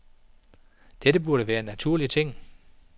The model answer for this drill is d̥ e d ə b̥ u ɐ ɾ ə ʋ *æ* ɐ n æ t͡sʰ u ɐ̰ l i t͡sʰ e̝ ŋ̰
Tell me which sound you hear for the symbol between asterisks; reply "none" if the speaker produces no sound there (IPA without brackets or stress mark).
æː